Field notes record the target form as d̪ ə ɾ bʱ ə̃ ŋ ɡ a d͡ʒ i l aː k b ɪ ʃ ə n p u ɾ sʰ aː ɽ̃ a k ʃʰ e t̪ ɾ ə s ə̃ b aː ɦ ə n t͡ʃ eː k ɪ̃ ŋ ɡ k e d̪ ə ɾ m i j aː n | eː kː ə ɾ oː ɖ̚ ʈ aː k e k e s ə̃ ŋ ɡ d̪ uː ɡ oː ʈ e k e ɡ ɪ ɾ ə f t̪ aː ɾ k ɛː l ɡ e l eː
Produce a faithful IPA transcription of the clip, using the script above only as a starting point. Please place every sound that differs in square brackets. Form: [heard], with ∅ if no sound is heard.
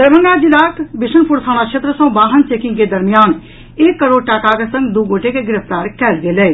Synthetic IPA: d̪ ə ɾ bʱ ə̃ ŋ ɡ a d͡ʒ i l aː k b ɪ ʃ ə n p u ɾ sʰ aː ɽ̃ a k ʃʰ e t̪ ɾ ə s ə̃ b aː ɦ ə n t͡ʃ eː k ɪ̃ ŋ ɡ k e d̪ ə ɾ m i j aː n | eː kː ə ɾ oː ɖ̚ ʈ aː k [a] k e s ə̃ ŋ ɡ d̪ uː ɡ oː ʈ e k e ɡ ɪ ɾ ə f t̪ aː ɾ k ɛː l ɡ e l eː